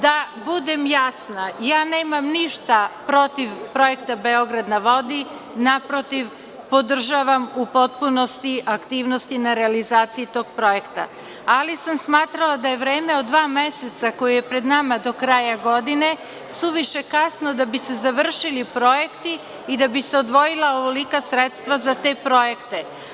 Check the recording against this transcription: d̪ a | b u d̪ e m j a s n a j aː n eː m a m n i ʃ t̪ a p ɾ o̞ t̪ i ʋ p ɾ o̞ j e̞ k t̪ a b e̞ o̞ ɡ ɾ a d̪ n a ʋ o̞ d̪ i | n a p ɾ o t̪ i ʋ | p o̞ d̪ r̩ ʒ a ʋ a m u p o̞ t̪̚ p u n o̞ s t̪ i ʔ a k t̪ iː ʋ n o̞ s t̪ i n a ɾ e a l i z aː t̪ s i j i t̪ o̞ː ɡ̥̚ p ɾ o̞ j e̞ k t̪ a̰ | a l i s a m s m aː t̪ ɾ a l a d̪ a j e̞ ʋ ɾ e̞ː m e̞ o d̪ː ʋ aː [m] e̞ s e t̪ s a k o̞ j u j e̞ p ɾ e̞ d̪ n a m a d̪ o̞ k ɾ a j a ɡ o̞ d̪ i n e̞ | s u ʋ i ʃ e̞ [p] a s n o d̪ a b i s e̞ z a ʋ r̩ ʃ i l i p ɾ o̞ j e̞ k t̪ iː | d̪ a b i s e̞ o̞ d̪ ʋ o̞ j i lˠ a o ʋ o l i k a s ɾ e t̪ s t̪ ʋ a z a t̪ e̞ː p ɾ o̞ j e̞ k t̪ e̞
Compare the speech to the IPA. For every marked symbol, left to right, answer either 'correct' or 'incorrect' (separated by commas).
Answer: correct, incorrect